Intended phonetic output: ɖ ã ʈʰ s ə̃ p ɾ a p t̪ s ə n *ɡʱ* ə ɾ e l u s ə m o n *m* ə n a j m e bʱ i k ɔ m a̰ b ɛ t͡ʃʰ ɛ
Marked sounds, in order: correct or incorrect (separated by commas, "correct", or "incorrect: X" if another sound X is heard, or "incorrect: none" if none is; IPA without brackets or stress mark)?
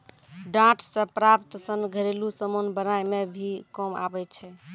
correct, incorrect: b